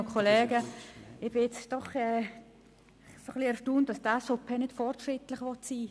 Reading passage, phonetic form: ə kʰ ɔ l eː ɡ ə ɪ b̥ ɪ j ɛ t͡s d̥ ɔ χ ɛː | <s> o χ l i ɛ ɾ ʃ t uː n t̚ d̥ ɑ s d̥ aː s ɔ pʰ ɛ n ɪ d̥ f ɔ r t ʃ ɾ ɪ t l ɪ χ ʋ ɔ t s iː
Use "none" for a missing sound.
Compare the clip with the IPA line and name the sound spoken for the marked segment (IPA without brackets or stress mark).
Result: s